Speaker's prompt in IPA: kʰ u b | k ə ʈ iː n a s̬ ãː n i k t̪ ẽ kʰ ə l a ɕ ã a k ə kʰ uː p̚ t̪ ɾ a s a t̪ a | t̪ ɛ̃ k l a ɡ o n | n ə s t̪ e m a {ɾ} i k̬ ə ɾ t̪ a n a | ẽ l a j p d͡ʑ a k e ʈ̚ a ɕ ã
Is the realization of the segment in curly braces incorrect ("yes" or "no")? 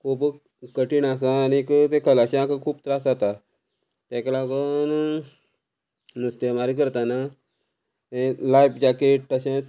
no